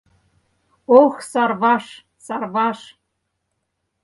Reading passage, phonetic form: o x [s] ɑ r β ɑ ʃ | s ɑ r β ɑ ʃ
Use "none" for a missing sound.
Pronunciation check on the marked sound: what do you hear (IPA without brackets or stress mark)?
s